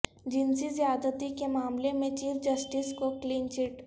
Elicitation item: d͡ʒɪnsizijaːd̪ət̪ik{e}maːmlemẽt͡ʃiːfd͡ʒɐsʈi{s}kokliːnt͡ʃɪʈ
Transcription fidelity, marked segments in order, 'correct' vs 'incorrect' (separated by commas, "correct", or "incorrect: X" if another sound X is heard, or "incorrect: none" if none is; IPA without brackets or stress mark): correct, correct